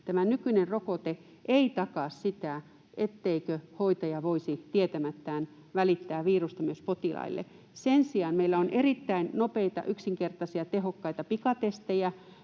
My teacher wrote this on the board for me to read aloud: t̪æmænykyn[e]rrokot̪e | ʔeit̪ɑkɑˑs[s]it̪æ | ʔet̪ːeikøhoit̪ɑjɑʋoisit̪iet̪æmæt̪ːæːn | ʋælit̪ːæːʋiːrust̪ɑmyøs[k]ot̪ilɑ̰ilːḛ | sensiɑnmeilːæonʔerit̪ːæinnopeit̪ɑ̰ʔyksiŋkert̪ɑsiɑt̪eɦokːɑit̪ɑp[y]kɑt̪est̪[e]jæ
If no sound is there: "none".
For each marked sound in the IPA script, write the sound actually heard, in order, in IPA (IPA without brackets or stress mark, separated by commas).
e, s, p, i, e